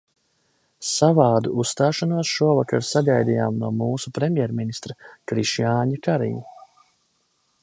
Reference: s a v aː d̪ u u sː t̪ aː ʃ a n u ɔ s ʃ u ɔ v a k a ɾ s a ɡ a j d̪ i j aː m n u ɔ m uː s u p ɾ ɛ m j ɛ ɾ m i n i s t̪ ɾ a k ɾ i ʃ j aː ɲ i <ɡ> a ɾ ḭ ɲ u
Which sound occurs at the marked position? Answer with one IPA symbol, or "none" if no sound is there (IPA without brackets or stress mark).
k